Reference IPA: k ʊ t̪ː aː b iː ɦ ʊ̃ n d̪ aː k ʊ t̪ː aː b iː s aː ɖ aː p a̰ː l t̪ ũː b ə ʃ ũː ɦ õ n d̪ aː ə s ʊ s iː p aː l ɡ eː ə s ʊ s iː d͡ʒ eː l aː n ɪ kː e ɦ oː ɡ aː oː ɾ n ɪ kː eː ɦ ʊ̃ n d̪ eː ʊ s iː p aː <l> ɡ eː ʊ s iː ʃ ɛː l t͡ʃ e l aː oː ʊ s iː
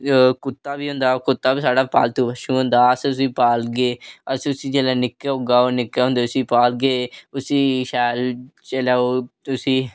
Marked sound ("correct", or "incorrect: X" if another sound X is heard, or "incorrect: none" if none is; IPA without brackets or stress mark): correct